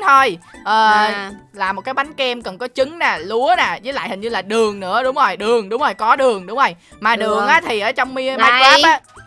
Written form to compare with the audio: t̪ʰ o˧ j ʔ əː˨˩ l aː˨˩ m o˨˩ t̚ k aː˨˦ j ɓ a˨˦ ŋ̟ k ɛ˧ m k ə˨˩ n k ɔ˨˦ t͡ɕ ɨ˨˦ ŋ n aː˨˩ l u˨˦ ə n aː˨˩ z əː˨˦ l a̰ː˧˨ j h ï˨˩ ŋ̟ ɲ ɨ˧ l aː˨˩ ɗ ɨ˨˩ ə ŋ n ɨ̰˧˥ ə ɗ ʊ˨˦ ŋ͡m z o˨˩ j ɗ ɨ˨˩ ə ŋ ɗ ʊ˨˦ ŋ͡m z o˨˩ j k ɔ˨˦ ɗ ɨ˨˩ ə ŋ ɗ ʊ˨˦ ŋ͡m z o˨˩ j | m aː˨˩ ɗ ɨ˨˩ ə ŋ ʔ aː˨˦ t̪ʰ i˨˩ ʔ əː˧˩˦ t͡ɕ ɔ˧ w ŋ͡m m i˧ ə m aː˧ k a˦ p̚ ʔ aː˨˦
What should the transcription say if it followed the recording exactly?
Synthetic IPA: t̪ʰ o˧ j ʔ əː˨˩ l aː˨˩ m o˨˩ t̚ k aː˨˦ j ɓ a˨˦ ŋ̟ k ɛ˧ m k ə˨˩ n k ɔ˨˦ t͡ɕ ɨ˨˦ ŋ n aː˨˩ l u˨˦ ə n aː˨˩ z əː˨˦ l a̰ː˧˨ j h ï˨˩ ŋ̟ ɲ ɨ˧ l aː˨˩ ɗ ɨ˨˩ ə ŋ n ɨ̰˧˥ ə ɗ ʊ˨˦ ŋ͡m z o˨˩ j ɗ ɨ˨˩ ə ŋ ɗ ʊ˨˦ ŋ͡m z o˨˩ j k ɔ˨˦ ɗ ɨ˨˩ ə ŋ ɗ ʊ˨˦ ŋ͡m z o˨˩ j | m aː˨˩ ɗ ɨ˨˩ ə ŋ ʔ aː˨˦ t̪ʰ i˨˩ ʔ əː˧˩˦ t͡ɕ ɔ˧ w ŋ͡m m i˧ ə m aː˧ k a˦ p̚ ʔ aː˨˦